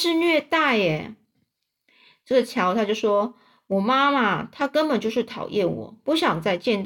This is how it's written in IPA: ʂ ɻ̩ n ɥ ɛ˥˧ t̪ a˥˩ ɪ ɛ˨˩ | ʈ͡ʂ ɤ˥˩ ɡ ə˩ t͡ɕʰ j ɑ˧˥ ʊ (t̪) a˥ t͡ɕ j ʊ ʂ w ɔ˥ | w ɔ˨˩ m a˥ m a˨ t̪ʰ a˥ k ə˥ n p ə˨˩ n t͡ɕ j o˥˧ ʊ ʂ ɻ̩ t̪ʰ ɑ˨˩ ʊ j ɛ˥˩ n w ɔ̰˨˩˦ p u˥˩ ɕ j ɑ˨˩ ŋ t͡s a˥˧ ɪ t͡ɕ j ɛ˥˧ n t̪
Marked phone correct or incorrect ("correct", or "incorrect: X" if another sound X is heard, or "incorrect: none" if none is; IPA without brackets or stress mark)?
incorrect: t̪ʰ